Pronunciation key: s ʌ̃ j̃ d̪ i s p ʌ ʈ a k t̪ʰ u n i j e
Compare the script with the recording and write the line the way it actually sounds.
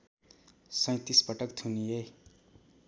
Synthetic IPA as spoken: s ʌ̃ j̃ t̪ i s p ʌ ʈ ʌ k t̪ʰ u n i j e